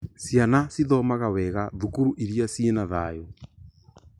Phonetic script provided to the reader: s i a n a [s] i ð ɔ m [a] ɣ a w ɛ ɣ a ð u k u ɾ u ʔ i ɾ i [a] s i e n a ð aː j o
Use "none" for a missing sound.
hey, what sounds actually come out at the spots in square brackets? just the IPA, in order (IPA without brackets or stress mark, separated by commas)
s, a, a